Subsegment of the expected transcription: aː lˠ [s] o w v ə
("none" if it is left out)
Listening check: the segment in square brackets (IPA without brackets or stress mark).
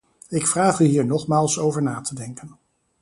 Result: s